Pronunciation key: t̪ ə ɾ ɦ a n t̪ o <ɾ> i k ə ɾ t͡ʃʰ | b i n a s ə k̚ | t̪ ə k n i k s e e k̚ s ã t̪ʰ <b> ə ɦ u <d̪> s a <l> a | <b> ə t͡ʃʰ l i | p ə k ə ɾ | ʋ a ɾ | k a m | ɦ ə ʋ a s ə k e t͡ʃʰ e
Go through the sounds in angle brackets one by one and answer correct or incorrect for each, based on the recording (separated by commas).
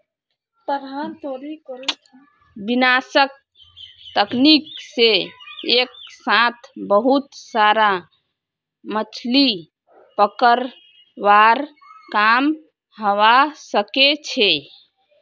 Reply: correct, correct, incorrect, incorrect, incorrect